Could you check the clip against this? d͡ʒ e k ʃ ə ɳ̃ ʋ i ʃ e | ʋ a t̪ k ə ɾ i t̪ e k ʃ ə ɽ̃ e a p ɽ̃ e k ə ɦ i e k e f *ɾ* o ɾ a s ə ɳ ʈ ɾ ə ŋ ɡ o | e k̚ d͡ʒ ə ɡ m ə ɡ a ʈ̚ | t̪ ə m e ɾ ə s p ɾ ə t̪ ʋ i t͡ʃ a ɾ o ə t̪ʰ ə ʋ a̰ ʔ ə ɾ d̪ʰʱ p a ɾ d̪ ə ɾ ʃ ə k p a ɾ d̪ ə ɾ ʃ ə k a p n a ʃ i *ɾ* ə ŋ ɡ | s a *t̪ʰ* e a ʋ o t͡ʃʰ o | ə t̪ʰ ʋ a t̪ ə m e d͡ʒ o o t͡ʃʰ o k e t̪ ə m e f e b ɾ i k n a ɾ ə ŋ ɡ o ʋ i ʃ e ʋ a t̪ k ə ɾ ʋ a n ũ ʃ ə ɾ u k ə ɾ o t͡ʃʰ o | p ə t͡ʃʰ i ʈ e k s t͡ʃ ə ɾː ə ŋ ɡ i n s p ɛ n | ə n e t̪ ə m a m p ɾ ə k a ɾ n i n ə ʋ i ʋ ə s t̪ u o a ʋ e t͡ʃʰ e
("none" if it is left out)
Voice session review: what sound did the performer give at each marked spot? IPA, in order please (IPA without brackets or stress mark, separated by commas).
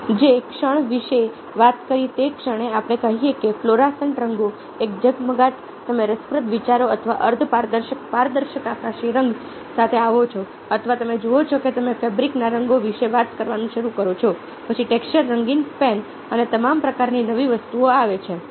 l, ɾ, t̪ʰ